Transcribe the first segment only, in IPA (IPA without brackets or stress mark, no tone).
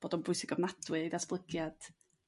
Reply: b̥